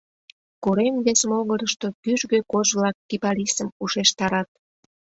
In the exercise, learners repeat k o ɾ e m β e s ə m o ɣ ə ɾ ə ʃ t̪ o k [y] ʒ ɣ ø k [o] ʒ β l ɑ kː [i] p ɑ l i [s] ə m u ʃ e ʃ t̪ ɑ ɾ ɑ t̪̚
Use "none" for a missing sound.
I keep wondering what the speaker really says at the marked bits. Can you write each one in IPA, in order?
y, o, i, s

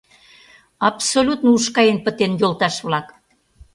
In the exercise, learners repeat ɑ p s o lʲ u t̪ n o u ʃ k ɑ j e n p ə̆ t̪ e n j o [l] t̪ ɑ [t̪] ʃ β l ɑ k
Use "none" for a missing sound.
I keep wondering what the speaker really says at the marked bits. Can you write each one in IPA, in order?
l, none

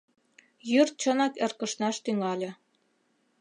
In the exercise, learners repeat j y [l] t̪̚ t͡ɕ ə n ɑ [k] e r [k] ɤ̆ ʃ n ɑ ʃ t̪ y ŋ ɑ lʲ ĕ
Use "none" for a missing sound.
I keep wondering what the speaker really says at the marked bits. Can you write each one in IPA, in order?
r, k, k

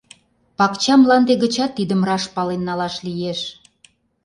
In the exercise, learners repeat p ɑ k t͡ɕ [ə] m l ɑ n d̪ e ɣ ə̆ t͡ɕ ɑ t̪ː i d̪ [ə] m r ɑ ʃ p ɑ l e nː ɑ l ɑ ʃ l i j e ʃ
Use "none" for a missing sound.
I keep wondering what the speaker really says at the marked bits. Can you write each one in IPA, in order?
ɑ, ə

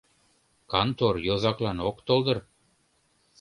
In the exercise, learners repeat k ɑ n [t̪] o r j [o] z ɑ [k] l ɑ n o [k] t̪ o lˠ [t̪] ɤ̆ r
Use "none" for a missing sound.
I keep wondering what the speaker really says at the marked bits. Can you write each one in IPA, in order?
t̪, o, k, k, d̪

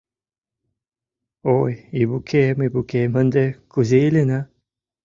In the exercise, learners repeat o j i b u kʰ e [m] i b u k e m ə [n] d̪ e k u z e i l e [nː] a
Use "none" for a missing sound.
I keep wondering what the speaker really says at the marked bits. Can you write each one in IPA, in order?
m, n, n

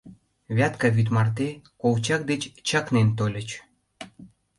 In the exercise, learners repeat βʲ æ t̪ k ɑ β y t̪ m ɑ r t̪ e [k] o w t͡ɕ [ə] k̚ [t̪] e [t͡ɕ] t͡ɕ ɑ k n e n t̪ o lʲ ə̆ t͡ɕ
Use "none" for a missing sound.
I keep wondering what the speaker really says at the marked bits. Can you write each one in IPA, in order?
k, ɑ, d̪, t͡ɕ

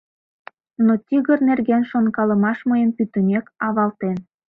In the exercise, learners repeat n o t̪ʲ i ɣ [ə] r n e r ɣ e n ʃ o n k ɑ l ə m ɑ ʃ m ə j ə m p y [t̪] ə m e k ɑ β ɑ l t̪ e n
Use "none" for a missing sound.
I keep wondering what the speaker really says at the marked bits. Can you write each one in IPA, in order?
ə, t̪

